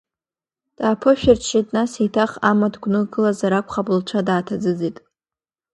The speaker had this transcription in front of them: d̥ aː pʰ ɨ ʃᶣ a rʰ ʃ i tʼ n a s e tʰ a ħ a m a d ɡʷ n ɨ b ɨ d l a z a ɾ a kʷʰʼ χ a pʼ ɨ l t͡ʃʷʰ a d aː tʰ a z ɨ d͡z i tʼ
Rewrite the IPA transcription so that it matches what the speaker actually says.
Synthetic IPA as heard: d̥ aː pʰ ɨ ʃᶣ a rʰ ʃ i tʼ n a s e tʰ a χ a m a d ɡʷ n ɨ ɡ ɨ l a z a ɾ a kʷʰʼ χ a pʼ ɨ l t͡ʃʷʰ a d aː tʰ a d͡z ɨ d͡z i tʼ

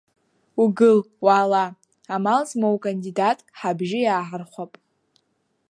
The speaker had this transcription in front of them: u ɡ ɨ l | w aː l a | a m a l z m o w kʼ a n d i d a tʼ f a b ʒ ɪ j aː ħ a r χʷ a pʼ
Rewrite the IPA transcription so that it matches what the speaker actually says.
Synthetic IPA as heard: u ɡ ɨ l | w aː l a | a m a l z m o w kʼ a n d i d a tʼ ħ a b ʒ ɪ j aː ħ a r χʷ a pʼ

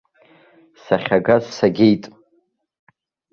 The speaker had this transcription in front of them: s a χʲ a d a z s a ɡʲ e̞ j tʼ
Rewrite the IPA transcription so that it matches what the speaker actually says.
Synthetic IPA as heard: s a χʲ a ɡ a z s a ɡʲ e̞ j tʼ

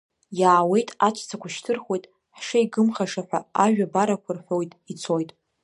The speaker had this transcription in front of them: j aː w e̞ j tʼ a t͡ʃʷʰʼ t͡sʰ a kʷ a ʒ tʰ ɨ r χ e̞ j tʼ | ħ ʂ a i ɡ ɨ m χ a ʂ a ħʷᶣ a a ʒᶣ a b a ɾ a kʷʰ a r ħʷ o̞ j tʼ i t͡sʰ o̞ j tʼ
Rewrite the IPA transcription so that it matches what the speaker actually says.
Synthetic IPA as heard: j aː w e̞ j tʼ a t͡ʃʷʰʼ t͡sʰ a kʷ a ʃ tʰ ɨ r χ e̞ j tʼ | ħ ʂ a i ɡ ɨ m χ a ʂ a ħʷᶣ a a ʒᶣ a b a ɾ a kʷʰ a r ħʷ o̞ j tʼ i t͡sʰ o̞ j tʼ

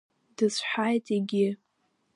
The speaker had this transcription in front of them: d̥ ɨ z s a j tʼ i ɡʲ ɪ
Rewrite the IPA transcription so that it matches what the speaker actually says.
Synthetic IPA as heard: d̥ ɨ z ħ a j tʼ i ɡʲ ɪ

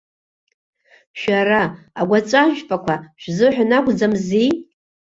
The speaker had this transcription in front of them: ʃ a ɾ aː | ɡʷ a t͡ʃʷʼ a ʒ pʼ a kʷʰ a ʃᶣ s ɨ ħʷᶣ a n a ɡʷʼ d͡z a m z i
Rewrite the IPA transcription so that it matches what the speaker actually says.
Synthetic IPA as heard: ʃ a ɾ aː | ɡʷ a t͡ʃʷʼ a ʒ pʼ a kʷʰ a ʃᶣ z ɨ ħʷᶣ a n a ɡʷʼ d͡z a m z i

